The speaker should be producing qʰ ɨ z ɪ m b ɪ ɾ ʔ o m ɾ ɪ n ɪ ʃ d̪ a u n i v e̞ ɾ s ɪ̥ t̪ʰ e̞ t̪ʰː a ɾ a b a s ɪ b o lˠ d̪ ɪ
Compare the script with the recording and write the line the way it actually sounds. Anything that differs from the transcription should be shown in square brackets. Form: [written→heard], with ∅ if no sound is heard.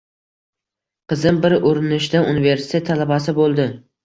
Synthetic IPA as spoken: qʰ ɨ z ɪ m b ɪ ɾ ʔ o [m→∅] ɾ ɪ n ɪ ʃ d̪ a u n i v e̞ ɾ s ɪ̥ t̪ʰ e̞ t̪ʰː a [ɾ→l] a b a s ɪ b o lˠ d̪ ɪ